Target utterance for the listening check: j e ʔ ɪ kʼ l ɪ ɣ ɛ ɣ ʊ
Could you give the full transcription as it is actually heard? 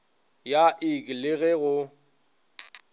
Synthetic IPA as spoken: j a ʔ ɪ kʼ l ɪ ɣ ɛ ɣ ʊ